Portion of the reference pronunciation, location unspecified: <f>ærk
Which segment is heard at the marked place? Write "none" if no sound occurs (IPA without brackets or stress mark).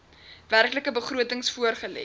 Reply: v